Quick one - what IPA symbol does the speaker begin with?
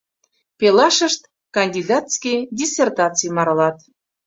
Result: p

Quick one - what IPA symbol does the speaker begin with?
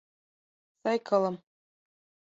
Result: s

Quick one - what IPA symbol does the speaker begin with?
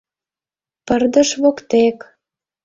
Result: p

